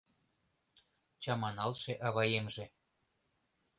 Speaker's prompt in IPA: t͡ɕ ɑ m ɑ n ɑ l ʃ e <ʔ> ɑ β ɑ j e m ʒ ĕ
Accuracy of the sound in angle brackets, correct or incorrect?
correct